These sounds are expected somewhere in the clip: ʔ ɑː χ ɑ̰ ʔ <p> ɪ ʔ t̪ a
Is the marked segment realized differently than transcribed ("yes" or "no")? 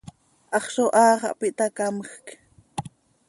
no